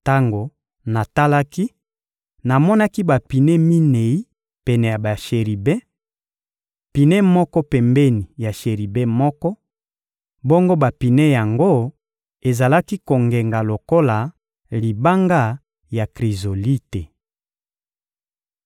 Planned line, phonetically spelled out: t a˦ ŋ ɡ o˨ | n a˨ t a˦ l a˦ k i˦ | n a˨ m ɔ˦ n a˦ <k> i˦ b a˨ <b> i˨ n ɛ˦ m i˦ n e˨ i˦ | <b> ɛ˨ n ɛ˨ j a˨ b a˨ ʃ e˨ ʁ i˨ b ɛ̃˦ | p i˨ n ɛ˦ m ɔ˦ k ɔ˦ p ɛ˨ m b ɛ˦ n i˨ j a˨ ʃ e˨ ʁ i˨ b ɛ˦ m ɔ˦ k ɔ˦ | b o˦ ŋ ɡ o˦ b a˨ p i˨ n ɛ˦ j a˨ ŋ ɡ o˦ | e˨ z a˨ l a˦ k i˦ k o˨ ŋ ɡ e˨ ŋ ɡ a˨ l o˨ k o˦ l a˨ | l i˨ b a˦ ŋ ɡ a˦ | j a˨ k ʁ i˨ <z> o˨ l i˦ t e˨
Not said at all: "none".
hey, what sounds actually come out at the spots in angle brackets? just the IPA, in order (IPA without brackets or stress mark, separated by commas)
k, p, p, z